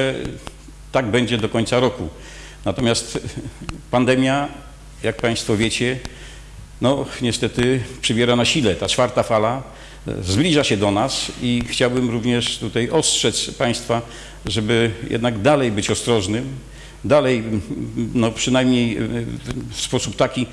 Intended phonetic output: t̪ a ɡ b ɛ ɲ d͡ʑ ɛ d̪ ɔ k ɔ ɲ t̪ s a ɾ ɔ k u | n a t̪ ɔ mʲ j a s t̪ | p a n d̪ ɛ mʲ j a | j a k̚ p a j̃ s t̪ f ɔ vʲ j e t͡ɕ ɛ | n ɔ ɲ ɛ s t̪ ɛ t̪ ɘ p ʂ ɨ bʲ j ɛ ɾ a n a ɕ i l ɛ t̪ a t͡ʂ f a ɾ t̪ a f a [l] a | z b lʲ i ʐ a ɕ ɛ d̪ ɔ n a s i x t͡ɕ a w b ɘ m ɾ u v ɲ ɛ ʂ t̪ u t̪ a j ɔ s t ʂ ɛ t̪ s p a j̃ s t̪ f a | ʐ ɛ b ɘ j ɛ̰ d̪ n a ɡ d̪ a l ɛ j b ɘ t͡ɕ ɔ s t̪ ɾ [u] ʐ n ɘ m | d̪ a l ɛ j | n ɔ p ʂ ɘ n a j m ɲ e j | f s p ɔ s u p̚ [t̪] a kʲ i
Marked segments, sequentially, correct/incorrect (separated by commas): correct, incorrect, correct